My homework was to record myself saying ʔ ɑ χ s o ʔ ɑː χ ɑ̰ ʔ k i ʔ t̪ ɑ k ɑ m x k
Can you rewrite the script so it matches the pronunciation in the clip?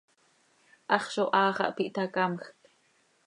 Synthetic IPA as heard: ʔ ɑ χ ʃ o ʔ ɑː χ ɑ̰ ʔ p i ʔ t̪ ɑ k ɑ m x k

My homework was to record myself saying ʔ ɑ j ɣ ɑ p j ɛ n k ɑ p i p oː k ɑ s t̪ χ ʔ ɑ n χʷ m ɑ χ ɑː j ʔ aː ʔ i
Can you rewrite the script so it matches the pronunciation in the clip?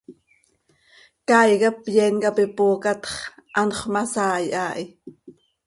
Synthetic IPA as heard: k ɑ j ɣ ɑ p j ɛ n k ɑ p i p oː k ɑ t̪ χ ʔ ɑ n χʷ m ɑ s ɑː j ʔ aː ʔ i

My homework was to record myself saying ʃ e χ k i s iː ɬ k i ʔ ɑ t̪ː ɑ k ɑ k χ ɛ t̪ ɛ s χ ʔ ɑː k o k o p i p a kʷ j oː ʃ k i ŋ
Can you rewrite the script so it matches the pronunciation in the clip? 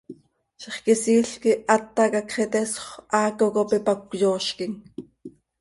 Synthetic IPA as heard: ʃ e χ k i s iː ɬ k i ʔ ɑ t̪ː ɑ k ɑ k χ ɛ t̪ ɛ s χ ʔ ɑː k o k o p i p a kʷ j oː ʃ k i ŋ

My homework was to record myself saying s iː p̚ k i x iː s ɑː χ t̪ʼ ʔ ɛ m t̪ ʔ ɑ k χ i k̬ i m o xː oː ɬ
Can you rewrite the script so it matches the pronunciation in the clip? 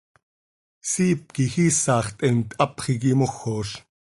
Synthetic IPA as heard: s iː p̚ k i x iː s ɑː χ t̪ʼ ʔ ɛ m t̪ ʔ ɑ p χ i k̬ i m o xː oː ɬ

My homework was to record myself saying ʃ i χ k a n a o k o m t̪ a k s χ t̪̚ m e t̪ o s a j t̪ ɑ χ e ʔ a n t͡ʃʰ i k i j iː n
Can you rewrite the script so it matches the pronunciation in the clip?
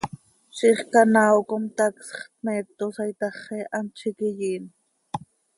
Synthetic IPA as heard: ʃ i χ k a n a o k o m t̪ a k s χ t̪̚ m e t̪ o s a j t̪ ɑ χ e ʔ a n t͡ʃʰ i k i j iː n

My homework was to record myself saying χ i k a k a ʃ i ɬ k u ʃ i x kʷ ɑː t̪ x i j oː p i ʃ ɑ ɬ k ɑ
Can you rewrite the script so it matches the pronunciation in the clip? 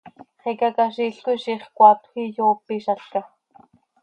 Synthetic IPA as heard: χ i k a k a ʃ i ɬ k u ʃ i χ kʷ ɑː t̪ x i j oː p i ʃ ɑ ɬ k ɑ

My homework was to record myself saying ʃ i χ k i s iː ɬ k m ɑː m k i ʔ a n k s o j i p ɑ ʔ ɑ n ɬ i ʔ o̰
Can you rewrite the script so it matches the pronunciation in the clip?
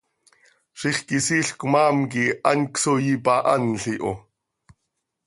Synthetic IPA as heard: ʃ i χ k i s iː ɬ k m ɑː m k i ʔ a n k s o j i p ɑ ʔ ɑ n ɬ i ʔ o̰

